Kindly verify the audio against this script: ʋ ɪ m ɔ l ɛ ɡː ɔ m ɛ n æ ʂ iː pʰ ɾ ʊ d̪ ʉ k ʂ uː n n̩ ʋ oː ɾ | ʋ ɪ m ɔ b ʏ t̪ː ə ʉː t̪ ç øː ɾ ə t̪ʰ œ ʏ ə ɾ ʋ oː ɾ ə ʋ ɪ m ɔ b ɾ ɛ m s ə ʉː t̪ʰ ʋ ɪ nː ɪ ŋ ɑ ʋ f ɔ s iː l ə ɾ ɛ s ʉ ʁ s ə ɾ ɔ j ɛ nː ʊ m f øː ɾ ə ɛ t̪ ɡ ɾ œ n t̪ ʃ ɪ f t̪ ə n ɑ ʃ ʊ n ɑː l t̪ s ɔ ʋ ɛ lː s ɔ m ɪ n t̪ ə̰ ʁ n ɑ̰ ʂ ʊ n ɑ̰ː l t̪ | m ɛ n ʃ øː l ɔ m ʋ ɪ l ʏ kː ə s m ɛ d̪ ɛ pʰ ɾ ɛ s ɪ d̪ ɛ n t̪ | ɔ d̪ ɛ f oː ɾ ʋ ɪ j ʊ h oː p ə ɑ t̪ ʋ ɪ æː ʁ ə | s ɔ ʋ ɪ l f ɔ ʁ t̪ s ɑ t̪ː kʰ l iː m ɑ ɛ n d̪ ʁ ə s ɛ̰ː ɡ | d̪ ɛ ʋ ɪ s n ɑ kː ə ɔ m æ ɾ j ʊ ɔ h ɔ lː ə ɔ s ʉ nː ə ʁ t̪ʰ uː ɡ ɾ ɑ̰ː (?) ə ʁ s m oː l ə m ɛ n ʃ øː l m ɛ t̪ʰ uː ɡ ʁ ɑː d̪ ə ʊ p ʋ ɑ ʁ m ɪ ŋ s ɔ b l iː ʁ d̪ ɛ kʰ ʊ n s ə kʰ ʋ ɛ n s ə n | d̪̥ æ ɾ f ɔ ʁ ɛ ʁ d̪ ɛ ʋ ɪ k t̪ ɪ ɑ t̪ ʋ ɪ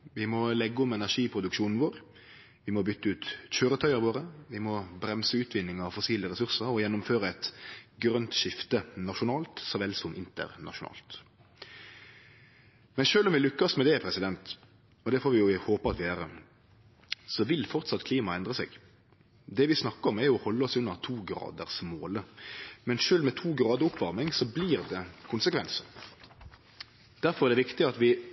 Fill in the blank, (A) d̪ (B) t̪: A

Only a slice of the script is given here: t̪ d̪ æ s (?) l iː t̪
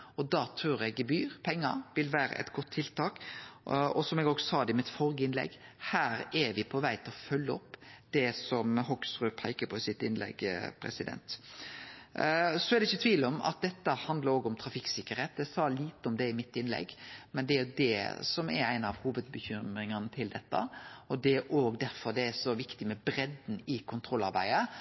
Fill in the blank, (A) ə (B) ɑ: B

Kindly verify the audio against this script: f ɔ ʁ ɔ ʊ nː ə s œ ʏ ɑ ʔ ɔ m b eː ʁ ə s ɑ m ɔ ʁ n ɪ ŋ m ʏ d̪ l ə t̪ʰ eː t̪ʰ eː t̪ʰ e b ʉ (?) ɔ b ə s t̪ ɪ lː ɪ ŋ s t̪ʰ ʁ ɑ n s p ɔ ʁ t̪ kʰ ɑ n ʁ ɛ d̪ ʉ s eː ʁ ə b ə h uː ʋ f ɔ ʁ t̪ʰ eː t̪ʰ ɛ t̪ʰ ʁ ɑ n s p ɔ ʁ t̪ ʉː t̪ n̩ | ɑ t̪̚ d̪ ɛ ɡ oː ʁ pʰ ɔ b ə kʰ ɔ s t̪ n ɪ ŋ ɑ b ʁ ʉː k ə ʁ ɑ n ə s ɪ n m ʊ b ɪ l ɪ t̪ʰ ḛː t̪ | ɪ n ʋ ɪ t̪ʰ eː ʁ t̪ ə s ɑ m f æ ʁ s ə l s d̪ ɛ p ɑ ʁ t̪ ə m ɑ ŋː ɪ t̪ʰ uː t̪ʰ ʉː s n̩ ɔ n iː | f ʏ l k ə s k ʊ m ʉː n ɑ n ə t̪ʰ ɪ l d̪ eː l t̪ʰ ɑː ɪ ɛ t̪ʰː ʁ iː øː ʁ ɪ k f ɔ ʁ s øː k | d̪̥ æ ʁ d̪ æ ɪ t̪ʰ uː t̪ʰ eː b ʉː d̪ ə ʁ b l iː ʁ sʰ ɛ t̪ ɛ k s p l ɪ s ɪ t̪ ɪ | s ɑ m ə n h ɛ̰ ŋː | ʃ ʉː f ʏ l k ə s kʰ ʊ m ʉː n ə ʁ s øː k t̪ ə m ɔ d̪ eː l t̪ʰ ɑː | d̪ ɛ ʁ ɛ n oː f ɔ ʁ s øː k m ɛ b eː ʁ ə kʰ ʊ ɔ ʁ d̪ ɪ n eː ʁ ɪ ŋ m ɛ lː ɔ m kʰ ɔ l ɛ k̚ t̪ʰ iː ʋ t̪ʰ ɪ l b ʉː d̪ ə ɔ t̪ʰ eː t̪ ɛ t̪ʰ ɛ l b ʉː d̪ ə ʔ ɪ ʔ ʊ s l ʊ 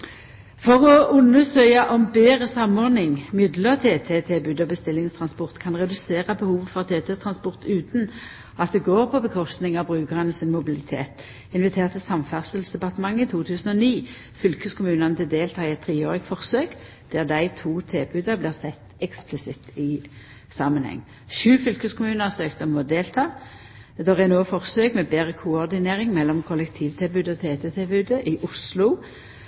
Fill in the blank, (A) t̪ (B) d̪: B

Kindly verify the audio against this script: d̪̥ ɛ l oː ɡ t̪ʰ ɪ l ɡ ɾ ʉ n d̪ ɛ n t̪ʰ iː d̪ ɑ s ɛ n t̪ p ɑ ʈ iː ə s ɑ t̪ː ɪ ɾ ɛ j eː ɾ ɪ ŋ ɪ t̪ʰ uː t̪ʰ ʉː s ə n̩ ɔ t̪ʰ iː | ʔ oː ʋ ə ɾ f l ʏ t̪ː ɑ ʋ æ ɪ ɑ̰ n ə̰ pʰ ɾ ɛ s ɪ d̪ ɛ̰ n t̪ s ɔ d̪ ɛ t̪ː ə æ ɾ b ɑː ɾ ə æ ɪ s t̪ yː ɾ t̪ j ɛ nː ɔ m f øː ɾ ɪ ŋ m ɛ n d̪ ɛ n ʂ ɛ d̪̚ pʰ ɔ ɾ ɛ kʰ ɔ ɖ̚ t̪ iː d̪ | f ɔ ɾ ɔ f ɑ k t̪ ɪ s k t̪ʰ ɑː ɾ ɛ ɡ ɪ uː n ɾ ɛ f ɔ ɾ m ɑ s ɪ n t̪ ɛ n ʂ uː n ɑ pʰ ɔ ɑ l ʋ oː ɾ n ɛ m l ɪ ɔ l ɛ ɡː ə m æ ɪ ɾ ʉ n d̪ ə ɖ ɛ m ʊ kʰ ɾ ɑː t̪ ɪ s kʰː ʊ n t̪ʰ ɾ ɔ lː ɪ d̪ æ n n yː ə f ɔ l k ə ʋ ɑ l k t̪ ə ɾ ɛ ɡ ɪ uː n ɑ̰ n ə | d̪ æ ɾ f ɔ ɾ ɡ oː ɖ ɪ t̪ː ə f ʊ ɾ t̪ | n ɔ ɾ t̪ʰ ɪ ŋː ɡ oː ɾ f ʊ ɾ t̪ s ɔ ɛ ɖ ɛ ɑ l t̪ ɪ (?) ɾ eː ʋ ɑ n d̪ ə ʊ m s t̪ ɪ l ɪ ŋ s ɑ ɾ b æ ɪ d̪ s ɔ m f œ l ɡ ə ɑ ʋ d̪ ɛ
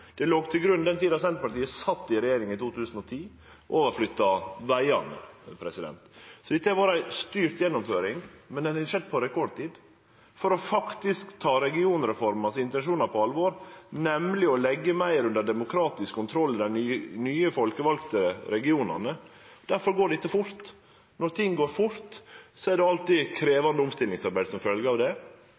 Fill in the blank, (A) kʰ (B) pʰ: A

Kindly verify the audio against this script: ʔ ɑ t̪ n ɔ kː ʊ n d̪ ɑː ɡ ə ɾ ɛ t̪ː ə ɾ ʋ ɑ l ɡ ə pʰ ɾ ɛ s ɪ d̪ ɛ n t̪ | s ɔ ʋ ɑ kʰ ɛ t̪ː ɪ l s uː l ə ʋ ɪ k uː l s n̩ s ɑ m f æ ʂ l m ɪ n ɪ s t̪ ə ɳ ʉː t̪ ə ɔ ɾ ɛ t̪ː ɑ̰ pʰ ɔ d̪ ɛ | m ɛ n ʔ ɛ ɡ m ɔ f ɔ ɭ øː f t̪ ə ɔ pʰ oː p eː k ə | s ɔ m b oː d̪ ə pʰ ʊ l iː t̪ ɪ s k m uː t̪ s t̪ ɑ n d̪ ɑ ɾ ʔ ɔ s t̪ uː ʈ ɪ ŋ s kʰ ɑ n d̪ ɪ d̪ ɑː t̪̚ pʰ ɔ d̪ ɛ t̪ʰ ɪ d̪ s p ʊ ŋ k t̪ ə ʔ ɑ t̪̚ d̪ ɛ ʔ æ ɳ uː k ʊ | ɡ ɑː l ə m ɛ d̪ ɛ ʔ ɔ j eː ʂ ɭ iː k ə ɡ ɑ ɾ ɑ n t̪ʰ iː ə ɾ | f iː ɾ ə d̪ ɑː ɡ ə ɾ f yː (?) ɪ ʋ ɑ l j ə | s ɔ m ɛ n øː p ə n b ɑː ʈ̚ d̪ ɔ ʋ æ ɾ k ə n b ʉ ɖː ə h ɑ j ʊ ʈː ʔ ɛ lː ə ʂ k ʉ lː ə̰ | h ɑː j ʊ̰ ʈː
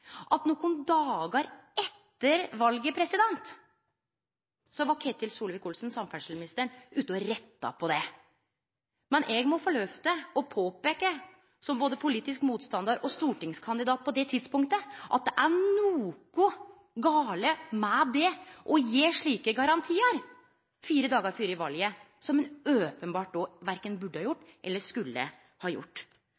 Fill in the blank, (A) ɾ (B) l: A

